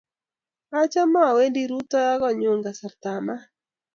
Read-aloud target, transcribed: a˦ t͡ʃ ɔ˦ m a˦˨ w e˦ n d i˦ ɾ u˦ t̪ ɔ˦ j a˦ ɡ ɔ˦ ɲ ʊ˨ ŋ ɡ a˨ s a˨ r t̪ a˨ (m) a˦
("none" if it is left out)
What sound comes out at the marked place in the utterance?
m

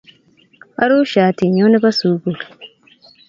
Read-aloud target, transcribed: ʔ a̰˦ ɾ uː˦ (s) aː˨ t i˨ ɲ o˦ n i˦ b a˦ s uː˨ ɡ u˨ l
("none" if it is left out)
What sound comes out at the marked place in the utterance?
ʃ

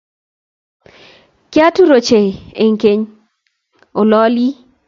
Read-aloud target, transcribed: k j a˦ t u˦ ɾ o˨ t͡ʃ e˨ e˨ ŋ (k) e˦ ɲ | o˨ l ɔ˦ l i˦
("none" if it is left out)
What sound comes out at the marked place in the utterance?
k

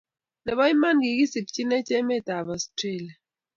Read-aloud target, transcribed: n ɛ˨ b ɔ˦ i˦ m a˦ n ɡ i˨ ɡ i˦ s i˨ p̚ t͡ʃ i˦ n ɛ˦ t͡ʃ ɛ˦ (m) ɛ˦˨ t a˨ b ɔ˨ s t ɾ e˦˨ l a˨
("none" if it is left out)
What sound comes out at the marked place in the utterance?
m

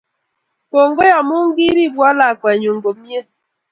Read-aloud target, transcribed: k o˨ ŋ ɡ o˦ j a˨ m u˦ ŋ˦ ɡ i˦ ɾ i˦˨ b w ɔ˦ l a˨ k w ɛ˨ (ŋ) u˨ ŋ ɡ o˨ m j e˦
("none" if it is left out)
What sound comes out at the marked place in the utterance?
ɲ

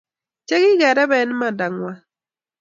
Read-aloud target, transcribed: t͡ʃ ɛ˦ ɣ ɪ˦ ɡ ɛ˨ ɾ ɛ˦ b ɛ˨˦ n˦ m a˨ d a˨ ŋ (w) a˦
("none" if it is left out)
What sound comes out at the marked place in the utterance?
w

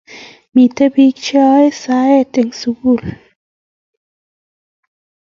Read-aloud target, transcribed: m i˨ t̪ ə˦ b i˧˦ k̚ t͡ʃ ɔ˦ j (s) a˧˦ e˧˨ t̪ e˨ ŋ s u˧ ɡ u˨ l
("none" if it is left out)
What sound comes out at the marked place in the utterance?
s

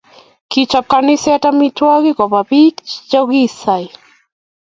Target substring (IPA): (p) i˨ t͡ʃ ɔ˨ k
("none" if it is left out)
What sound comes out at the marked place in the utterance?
k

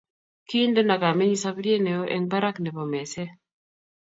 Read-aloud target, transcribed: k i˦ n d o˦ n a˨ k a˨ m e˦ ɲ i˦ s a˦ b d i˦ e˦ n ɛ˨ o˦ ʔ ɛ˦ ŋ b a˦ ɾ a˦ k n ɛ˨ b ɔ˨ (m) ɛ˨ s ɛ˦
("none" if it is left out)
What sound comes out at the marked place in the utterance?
m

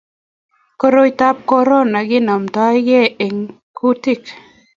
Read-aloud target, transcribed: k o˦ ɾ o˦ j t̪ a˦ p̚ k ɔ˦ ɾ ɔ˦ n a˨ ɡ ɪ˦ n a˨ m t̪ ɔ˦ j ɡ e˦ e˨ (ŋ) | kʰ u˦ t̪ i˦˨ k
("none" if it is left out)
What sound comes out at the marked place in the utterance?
ŋ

